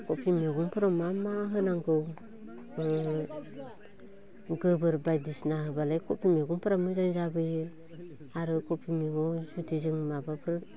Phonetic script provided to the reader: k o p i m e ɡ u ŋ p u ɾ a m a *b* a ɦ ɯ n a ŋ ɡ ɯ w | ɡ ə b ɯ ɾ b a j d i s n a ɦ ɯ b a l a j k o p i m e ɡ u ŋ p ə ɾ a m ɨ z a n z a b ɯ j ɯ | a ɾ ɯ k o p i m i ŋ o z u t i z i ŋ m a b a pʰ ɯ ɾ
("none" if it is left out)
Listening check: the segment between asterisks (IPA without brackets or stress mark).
m